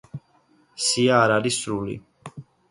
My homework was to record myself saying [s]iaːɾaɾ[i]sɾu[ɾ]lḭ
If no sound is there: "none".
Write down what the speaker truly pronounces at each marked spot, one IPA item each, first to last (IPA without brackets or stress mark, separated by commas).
s, i, none